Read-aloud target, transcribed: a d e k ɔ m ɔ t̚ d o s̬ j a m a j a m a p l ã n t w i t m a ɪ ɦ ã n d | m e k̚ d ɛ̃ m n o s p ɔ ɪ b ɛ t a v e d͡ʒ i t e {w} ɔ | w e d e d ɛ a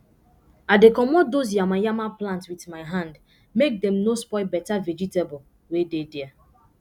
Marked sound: incorrect: b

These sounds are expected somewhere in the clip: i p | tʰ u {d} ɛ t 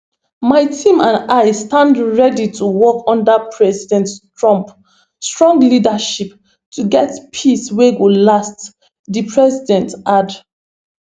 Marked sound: incorrect: ɡ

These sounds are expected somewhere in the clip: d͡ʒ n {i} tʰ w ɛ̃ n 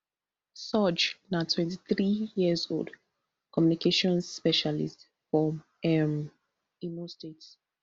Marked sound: incorrect: a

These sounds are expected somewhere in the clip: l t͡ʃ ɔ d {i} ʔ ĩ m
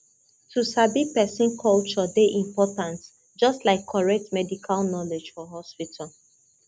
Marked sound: incorrect: e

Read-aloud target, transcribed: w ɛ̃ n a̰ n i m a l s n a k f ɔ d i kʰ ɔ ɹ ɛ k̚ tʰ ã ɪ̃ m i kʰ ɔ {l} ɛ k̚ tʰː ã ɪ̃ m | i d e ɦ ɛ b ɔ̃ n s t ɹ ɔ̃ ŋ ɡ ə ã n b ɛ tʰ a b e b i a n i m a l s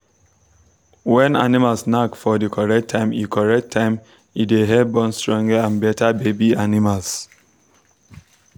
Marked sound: incorrect: ɹ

